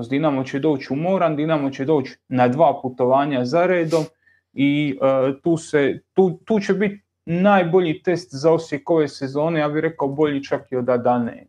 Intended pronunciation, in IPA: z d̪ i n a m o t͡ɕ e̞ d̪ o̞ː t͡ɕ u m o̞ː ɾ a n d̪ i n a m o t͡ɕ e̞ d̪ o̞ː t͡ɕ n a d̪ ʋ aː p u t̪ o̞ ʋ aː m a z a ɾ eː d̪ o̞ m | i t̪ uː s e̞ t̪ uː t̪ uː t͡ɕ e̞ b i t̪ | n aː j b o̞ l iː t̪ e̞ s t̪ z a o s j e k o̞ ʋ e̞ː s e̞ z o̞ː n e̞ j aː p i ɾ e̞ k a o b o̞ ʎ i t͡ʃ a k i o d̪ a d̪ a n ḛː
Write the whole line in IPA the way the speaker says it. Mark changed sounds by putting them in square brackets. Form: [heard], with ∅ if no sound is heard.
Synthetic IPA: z d̪ i n a m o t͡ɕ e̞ d̪ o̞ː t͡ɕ u m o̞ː ɾ a n d̪ i n a m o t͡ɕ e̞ d̪ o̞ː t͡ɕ n a d̪ ʋ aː p u t̪ o̞ ʋ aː [ɲ] a z a ɾ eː d̪ o̞ m | i t̪ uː s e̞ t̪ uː t̪ uː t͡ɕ e̞ b i t̪ | n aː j b o̞ [ʎ] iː t̪ e̞ s t̪ z a o s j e k o̞ ʋ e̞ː s e̞ z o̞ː n e̞ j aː [b] i ɾ e̞ k a o b o̞ ʎ i t͡ʃ a k i o d̪ a d̪ a n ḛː